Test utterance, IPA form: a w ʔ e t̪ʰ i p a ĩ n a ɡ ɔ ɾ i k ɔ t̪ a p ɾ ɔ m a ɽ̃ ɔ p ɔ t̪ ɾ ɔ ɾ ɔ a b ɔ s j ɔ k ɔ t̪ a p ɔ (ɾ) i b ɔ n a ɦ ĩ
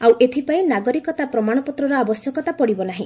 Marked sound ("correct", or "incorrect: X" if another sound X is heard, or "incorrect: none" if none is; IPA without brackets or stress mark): incorrect: ɽ